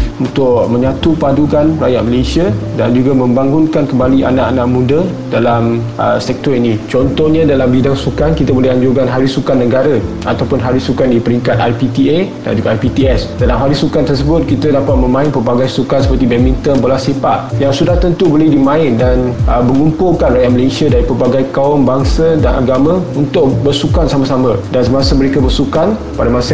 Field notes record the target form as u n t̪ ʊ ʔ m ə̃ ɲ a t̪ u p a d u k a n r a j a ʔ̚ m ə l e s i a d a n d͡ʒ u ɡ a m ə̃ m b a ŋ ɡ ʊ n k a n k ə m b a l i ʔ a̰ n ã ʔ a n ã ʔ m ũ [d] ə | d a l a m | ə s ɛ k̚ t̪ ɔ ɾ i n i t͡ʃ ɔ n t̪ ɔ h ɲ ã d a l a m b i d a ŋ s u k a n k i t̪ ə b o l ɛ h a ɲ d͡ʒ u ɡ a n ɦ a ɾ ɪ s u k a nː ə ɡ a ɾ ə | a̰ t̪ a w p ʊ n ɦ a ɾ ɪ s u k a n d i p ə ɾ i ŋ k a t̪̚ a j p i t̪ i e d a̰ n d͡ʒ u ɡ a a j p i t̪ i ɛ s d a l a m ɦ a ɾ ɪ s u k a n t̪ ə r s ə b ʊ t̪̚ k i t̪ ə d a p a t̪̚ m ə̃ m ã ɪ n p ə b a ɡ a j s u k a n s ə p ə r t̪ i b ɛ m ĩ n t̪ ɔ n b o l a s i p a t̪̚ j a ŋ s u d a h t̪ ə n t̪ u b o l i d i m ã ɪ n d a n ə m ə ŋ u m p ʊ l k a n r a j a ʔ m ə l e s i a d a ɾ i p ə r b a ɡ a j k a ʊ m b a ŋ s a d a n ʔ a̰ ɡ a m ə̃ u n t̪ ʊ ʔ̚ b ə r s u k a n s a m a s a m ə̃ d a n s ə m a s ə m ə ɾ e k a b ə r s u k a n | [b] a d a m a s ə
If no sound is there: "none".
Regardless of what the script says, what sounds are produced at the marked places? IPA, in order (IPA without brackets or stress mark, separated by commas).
d, p